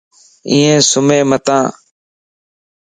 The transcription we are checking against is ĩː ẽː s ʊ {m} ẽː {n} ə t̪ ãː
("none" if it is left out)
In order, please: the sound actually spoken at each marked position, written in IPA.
m, m

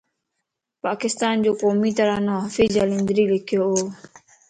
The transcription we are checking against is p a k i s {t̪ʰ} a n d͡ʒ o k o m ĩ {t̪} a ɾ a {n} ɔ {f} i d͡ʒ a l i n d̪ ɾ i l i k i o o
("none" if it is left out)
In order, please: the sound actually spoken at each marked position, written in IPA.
t̪, t̪, n, f

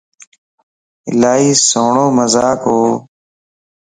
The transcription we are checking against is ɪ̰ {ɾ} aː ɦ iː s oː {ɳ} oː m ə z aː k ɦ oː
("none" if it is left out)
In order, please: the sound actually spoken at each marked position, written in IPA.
l, ɳ

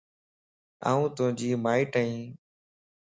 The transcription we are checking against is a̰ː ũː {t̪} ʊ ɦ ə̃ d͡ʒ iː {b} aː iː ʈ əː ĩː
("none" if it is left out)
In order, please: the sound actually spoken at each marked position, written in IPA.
t̪, m

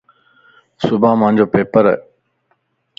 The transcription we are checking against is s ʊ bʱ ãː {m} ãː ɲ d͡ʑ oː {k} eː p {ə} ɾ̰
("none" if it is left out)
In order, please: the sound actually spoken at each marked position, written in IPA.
m, p, ə

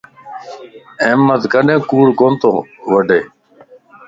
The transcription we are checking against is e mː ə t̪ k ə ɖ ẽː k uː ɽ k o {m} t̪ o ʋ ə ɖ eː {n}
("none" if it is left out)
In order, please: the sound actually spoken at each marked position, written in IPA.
n, none

